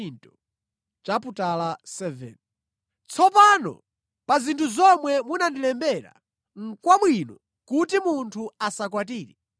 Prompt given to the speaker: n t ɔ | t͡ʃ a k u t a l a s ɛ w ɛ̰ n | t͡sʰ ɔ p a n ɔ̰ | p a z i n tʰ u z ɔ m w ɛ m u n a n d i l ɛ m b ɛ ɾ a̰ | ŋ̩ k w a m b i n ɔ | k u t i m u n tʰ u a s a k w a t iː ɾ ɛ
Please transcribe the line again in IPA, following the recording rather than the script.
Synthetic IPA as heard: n t ɔ | t͡ʃ a p u t a l a s ɛ v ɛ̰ n | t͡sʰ ɔ p a n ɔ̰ | p a z i n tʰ u z ɔ m w ɛ m u n a n d i l ɛ m b ɛ ɾ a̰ | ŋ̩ k w a m w i n ɔ | k u t i m u n tʰ u a s a k w a t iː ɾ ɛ